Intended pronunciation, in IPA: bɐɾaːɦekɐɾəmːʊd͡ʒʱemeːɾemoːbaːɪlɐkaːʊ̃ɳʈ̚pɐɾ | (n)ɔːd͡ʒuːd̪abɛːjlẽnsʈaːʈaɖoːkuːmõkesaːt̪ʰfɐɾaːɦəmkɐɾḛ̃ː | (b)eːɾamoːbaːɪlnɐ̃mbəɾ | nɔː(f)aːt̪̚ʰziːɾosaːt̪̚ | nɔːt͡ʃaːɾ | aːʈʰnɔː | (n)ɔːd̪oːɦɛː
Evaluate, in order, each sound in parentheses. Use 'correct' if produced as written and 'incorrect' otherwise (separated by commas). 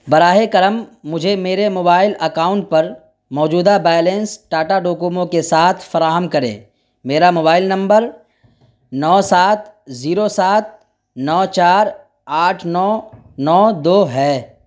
incorrect, incorrect, incorrect, correct